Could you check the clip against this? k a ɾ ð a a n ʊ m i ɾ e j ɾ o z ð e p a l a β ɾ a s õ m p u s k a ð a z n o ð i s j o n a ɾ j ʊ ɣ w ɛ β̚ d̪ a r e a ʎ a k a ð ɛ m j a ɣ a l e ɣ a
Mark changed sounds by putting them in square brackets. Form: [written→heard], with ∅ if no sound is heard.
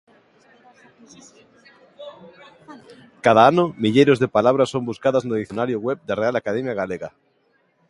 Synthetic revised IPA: k a [ɾ→∅] ð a a n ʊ m i [ɾ→ʎ] e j ɾ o z ð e p a l a β ɾ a s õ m [p→b] u s k a ð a z n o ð i [s→θ] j o n a ɾ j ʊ ɣ w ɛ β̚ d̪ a r e a [ʎ→l] a k a ð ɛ m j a ɣ a l e ɣ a